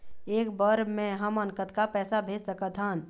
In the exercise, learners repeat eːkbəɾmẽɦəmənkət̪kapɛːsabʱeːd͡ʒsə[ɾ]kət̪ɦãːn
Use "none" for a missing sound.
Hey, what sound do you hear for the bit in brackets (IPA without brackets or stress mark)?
none